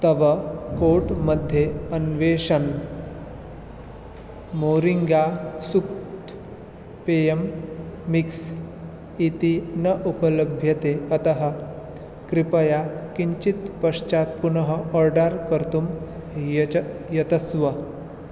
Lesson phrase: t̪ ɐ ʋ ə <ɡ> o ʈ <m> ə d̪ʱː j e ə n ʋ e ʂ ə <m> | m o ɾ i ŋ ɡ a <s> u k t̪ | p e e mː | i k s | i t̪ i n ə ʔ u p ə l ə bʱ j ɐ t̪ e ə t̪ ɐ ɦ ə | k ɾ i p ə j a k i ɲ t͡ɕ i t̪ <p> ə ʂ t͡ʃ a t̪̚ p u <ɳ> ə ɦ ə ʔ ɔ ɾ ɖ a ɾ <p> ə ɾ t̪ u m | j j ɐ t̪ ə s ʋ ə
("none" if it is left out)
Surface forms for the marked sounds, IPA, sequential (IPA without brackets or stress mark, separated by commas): k, m, n, s, p, n, k